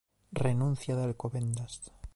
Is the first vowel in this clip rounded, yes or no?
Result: no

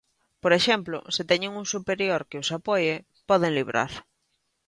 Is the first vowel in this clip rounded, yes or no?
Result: yes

